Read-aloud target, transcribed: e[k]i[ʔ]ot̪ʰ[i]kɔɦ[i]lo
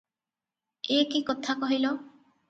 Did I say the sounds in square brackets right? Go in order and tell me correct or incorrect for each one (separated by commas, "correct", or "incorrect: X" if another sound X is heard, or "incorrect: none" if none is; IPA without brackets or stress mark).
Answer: correct, incorrect: k, incorrect: a, correct